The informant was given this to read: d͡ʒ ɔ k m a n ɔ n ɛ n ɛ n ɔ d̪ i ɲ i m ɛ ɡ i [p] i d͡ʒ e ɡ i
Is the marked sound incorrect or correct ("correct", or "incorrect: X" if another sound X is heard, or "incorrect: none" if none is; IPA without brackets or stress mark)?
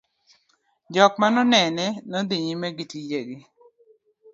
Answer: incorrect: t